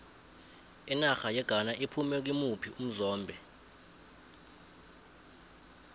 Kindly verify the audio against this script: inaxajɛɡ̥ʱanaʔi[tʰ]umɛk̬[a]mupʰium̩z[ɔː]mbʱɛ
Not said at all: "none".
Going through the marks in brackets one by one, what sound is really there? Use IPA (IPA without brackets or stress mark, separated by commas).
pʰ, i, ɔː